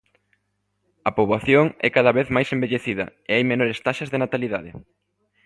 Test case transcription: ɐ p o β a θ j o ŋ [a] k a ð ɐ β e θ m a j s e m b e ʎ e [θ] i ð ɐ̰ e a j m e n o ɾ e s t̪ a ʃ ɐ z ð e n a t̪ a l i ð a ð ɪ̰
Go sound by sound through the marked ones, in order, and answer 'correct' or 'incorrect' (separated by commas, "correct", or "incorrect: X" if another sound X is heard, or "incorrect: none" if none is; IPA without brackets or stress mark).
incorrect: ɛ, correct